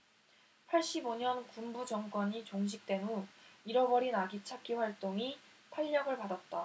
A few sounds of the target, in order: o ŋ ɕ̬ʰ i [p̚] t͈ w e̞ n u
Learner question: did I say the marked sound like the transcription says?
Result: no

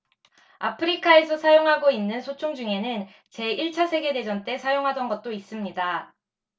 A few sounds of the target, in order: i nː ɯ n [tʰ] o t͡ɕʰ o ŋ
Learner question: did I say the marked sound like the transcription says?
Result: no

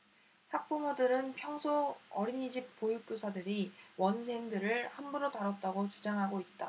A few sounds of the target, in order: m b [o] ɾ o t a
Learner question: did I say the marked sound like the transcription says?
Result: no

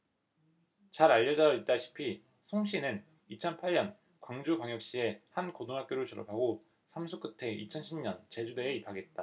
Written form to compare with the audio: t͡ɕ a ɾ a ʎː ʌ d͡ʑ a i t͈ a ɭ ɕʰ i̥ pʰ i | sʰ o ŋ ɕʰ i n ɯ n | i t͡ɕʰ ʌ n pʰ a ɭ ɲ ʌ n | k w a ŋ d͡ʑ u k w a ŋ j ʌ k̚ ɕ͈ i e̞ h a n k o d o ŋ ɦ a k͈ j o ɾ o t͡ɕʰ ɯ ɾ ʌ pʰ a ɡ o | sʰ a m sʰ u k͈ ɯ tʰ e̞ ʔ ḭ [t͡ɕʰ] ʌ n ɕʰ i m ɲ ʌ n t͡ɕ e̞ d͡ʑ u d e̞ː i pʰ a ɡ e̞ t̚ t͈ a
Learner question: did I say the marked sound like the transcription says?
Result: yes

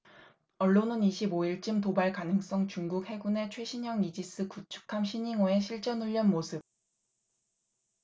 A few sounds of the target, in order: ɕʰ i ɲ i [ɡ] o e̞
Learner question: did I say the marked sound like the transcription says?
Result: no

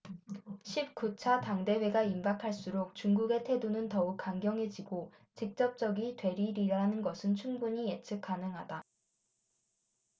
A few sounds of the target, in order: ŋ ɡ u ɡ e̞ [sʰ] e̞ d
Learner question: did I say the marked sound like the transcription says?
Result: no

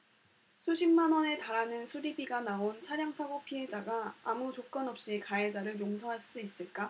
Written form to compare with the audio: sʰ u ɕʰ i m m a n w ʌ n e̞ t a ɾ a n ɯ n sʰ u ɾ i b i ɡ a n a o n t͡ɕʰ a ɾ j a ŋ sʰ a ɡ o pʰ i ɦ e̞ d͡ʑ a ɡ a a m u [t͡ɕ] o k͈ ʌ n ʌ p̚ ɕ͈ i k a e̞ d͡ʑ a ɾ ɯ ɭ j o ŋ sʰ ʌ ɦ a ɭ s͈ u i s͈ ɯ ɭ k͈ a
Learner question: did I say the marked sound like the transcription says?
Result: yes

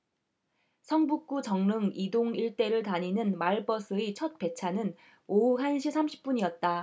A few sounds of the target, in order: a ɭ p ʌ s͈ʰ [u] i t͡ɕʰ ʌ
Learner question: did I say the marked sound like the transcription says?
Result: no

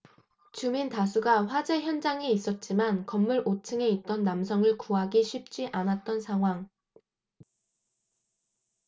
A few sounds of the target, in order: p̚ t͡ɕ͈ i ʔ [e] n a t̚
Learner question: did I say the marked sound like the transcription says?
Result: no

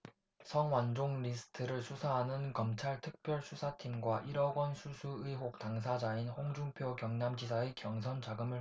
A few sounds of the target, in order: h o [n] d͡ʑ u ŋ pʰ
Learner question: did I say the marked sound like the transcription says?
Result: no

